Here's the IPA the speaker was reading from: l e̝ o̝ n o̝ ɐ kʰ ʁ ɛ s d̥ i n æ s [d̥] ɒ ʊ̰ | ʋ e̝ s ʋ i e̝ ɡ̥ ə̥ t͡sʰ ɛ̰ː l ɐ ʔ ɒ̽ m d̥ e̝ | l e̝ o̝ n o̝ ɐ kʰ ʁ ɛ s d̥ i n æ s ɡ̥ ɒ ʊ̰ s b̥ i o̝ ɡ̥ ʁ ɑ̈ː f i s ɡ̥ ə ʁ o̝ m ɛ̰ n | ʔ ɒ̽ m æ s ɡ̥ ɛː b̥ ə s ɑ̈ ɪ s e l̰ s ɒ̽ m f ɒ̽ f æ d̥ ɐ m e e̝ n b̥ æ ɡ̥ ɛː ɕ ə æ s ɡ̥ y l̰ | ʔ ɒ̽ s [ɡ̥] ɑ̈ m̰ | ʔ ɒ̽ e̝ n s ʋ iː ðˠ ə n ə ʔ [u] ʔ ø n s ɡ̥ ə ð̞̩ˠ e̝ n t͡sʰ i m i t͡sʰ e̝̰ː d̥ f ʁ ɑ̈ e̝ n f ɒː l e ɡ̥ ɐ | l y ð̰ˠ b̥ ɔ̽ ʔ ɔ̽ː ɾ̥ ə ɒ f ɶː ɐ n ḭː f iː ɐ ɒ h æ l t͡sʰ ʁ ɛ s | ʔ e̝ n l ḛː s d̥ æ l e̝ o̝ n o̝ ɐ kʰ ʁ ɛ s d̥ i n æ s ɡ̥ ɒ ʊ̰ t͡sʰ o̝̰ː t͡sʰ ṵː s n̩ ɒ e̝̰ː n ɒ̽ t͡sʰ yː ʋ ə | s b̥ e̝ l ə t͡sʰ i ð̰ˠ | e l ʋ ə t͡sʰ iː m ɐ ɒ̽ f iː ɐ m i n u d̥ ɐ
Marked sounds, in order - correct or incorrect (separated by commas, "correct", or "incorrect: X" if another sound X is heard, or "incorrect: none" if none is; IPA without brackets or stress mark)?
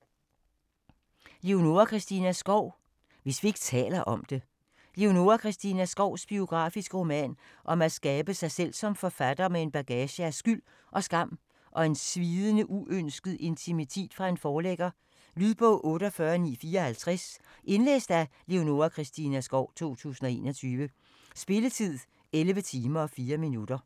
incorrect: ɡ̥, correct, correct